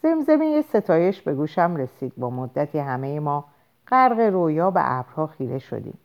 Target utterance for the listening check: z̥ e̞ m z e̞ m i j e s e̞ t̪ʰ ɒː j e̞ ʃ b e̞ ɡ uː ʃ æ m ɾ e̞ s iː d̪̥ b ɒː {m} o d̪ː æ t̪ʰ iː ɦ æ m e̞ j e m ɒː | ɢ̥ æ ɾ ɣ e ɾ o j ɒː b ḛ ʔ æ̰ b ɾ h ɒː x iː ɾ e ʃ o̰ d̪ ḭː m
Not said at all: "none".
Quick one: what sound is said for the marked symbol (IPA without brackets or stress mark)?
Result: m